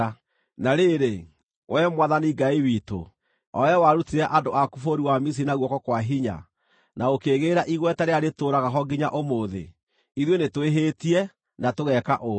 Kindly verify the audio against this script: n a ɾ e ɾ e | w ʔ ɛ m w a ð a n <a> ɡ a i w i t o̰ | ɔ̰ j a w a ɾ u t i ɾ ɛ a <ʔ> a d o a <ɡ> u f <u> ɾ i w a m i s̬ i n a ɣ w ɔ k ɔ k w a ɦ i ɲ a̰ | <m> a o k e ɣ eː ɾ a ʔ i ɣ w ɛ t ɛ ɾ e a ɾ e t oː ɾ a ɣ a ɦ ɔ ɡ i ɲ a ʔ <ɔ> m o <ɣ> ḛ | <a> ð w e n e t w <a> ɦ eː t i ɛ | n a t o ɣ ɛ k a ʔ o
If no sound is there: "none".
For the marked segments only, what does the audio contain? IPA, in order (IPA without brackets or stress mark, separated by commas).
i, ʔ, k, o, n, o, ð, i, e